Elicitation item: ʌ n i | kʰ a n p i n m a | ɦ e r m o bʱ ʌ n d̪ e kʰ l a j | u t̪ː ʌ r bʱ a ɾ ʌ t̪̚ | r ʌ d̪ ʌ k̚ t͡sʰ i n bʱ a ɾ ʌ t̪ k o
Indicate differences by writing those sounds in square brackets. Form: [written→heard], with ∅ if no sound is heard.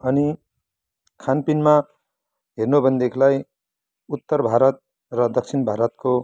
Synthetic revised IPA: ʌ n i | kʰ a n p i n m a | ɦ e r [m→n] o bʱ ʌ n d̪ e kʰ l a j | u t̪ː ʌ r bʱ a ɾ ʌ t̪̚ | r ʌ d̪ ʌ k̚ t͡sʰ i n bʱ a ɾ ʌ t̪ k o